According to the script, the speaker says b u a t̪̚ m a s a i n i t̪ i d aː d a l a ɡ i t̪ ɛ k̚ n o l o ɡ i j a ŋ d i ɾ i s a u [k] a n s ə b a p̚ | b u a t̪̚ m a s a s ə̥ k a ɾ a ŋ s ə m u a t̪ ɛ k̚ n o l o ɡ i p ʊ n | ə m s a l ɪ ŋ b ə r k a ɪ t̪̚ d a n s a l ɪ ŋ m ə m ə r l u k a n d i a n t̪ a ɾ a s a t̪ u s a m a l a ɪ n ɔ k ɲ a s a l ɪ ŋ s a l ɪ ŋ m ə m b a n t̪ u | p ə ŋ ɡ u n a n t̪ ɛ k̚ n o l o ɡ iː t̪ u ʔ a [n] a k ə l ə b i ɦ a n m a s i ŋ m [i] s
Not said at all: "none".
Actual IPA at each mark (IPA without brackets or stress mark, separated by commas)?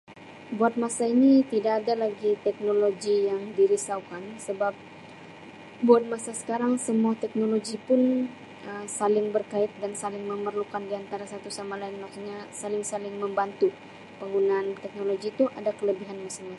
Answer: k, d, a